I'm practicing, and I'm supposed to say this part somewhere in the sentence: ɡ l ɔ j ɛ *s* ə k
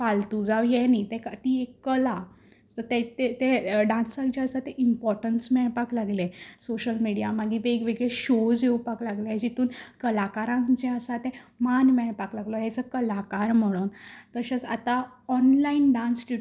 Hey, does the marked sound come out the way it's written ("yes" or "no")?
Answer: no